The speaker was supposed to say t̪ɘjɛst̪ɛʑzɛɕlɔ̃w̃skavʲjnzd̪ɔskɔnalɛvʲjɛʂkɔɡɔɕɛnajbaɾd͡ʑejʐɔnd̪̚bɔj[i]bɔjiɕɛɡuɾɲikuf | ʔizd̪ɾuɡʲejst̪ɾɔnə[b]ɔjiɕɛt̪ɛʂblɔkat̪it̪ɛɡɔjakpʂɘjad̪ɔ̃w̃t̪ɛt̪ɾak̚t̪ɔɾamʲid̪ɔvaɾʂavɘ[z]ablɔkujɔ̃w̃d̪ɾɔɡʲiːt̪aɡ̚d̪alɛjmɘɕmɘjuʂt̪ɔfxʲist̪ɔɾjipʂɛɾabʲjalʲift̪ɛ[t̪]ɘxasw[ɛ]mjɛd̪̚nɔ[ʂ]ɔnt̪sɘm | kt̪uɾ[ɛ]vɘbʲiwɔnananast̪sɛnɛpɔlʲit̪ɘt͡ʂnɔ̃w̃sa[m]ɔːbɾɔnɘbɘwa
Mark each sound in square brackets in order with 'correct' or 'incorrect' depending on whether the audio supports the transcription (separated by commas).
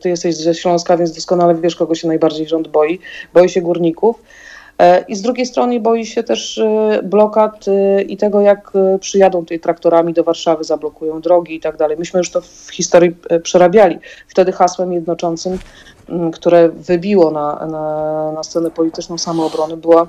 correct, correct, correct, incorrect, correct, incorrect, correct, correct